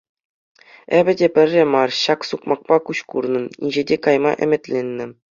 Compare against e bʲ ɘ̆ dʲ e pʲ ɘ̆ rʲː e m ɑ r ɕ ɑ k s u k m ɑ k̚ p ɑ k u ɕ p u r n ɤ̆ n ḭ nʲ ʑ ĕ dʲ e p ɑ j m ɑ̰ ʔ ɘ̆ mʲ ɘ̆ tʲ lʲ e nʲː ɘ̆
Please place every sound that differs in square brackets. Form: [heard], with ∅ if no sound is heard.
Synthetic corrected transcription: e bʲ ɘ̆ dʲ e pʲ ɘ̆ rʲː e m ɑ r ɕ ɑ k s u k m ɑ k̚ p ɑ k u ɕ [k] u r n ɤ̆ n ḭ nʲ ʑ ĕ dʲ e [k] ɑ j m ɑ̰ ʔ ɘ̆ mʲ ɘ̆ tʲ lʲ e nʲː ɘ̆

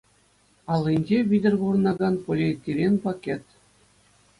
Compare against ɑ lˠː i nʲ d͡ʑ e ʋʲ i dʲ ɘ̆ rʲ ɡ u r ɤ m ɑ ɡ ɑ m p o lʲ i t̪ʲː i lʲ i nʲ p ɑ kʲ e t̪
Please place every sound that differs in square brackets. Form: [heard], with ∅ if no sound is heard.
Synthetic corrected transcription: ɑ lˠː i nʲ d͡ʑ e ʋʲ i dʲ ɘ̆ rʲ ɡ u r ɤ [n] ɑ ɡ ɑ [n] p o lʲ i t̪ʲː i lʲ [e] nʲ p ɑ kʲ e t̪

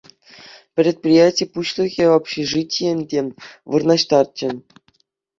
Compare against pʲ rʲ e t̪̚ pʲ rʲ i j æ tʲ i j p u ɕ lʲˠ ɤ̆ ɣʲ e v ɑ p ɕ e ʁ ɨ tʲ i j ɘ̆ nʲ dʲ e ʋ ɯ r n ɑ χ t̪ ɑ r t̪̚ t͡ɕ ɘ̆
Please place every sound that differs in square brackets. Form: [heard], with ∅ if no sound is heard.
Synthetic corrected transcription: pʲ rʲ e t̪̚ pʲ rʲ i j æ tʲ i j p u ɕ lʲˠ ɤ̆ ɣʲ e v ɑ p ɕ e [ʐ] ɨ tʲ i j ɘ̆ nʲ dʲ e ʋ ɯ r n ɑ [ɕ] t̪ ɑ r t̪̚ t͡ɕ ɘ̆

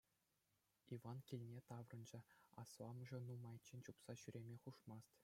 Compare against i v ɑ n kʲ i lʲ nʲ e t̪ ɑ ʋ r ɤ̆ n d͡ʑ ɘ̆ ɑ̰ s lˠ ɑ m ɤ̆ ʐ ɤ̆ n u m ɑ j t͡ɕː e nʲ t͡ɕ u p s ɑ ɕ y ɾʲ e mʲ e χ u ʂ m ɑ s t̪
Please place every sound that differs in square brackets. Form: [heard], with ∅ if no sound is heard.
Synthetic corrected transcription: i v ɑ n kʲ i lʲ nʲ e t̪ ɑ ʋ r ɤ̆ n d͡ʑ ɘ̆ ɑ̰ s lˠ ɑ m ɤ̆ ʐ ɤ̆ n u m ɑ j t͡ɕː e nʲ t͡ɕ u p s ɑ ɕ y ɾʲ e mʲ e χ u ʂ m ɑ s t̪

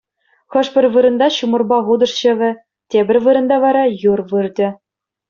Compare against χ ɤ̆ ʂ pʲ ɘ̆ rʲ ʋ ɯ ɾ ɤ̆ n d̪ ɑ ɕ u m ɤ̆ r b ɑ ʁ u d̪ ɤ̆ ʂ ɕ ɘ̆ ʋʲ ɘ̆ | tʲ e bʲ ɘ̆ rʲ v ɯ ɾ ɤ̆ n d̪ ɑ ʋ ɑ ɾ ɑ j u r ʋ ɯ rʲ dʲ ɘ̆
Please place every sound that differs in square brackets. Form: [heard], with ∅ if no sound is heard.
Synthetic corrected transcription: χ ɤ̆ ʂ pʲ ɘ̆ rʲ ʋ ɯ ɾ ɤ̆ n d̪ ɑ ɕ u m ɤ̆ r b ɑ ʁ u d̪ ɤ̆ ʂ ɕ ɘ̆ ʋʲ ɘ̆ | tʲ e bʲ ɘ̆ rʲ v ɯ ɾ ɤ̆ n d̪ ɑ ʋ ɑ ɾ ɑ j u r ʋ ɯ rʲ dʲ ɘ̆

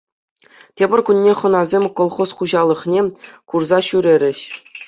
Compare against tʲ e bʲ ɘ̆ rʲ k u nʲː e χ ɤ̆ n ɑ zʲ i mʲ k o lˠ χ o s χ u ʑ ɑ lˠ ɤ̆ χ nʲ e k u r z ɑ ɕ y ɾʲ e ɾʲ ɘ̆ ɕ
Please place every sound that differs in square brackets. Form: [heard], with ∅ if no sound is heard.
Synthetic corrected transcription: tʲ e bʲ ɘ̆ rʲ k u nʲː e χ ɤ̆ n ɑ zʲ [e] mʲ k o lˠ χ o s χ u ʑ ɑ lˠ ɤ̆ χ nʲ e k u r z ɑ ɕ y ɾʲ e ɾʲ ɘ̆ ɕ

